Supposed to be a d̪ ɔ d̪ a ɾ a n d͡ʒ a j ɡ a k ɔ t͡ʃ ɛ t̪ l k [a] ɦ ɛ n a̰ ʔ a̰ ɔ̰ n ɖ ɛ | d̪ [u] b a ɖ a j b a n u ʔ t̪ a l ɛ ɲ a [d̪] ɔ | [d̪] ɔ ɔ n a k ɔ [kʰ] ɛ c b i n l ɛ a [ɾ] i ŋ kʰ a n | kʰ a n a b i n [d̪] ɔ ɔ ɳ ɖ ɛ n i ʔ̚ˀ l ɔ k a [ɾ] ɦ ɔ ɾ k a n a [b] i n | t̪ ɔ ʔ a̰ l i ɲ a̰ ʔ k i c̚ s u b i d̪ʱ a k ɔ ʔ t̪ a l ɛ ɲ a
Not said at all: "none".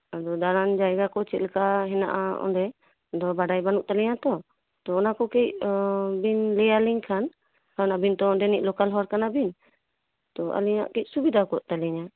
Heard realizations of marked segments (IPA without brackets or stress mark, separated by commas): a, ɔ, t̪, t̪, k, l, t̪, l, b